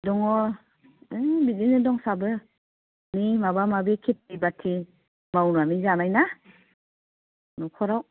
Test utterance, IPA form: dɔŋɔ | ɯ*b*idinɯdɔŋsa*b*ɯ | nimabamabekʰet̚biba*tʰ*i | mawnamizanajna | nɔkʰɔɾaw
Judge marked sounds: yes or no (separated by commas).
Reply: yes, yes, yes